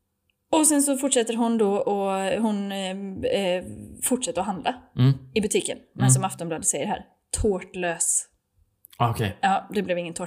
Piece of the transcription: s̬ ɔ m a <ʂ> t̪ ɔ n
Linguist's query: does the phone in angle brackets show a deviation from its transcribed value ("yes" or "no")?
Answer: yes